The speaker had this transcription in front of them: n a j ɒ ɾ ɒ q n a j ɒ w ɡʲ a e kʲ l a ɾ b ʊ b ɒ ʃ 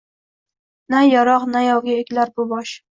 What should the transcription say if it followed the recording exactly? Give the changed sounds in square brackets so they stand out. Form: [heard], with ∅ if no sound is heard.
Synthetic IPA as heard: n a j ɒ ɾ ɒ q n a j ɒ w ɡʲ a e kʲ l a ɾ b ʊ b ɒ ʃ